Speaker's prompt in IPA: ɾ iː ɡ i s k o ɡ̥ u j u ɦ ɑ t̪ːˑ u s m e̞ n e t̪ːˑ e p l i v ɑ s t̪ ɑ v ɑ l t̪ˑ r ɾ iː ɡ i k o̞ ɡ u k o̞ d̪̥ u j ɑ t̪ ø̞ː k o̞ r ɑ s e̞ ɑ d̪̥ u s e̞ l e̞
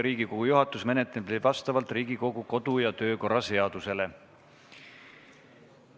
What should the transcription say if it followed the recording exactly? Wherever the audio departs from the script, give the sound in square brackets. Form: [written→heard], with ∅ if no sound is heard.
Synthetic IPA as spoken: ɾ iː ɡ i [s→∅] k o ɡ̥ u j u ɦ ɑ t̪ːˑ u s m e̞ n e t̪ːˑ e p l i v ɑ s t̪ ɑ v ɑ l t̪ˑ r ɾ iː ɡ i k o̞ ɡ u k o̞ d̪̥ u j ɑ t̪ ø̞ː k o̞ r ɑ s e̞ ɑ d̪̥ u s e̞ l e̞